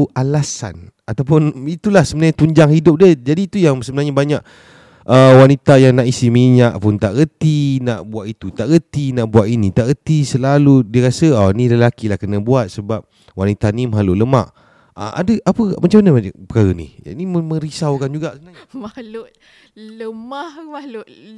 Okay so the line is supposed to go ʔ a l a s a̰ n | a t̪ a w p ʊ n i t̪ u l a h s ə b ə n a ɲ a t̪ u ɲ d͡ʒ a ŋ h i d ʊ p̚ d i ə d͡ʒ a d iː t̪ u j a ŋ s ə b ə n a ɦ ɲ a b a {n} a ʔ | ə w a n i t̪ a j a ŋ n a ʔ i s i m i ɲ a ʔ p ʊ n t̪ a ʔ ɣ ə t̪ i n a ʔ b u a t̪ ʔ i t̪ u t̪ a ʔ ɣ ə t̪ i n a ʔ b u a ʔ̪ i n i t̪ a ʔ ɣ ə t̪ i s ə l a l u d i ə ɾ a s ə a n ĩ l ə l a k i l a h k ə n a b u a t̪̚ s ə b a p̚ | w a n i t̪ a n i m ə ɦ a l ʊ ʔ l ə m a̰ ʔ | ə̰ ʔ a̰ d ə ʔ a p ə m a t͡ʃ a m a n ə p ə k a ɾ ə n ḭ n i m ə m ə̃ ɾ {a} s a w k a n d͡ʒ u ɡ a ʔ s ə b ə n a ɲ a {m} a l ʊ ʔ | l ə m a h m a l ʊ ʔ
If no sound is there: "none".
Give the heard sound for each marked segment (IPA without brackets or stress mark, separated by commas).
ɲ, i, m